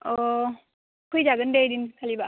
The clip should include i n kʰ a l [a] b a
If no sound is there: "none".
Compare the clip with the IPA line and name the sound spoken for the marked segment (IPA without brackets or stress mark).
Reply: i